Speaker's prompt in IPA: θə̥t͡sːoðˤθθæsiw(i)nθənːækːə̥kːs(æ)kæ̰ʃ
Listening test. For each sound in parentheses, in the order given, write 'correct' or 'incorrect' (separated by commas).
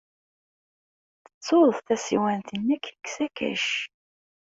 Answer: incorrect, correct